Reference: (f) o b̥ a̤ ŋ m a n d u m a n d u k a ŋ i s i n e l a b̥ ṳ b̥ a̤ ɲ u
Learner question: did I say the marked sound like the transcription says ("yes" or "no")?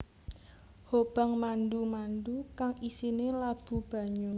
no